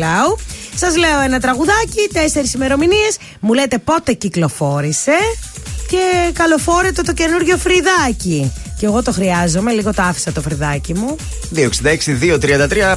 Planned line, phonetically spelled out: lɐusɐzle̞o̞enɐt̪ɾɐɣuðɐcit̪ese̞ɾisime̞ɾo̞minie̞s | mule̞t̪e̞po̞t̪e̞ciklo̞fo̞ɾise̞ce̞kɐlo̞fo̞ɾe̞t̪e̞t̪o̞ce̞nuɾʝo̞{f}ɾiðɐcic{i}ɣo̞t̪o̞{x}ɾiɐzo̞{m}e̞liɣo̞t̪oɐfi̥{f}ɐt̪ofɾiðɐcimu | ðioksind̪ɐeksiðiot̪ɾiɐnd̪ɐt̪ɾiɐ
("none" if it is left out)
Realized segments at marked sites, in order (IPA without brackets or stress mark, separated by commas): f, e, x, m, s